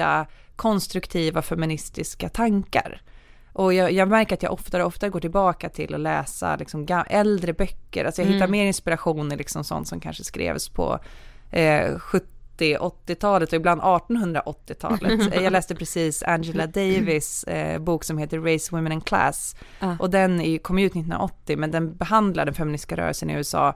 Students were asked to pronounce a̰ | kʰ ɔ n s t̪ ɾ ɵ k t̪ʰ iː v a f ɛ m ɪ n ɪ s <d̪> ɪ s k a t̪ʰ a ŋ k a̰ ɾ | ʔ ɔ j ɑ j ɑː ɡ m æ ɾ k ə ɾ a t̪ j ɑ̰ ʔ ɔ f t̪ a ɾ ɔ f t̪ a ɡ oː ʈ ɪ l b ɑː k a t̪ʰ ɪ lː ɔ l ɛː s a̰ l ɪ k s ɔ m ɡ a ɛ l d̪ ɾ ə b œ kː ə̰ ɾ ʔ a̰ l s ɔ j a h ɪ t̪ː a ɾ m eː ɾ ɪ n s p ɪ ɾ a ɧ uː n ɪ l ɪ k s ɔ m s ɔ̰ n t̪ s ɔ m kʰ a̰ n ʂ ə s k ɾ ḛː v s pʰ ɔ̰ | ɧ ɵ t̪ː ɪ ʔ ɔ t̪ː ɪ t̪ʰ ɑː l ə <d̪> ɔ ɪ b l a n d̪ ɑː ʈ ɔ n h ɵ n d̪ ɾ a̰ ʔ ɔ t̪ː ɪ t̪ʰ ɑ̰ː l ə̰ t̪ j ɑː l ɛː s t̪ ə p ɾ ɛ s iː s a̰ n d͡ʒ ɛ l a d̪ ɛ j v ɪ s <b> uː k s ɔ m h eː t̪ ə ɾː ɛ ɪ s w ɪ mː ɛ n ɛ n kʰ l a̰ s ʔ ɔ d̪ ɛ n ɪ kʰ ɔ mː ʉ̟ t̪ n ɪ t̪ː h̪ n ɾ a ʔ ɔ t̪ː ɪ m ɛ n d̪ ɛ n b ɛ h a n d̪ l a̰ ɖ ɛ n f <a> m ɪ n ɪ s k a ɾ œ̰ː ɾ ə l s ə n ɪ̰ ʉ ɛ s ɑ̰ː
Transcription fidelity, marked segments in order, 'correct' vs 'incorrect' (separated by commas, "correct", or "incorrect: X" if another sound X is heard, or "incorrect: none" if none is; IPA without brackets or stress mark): incorrect: t̪, incorrect: t̪, correct, incorrect: ɛ